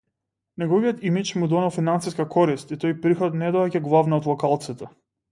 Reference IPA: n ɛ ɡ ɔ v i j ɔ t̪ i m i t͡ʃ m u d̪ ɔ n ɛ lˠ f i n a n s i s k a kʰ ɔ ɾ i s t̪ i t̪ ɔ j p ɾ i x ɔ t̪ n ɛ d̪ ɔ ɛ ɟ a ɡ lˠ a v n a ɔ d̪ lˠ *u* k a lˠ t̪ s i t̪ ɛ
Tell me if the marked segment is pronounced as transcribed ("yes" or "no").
no